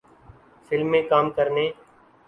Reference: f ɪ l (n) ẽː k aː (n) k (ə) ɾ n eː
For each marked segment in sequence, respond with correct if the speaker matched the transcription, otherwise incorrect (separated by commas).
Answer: incorrect, incorrect, correct